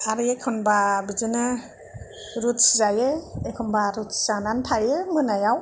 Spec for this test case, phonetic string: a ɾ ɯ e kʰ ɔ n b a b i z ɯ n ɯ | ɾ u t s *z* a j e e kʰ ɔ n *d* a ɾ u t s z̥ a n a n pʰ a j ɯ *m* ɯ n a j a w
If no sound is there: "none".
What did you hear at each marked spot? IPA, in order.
z, b, m

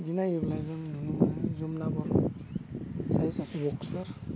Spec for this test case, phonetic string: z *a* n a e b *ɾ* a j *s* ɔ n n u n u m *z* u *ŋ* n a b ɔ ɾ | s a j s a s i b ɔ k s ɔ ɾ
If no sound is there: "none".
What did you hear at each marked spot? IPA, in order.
i, l, z, z, m

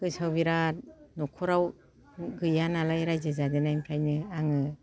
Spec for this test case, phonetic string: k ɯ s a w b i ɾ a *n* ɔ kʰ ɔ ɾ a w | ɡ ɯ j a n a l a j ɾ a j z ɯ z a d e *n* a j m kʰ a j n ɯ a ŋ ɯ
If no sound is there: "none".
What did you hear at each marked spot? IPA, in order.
n, n

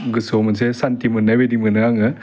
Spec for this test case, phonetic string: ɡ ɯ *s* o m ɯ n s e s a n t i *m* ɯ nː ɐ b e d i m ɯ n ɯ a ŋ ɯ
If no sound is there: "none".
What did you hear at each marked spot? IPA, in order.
s, m

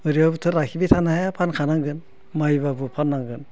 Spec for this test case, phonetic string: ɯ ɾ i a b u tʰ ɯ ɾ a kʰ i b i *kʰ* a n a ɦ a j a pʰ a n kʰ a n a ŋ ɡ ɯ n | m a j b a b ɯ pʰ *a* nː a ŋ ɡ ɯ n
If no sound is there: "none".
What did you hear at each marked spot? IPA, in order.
tʰ, a

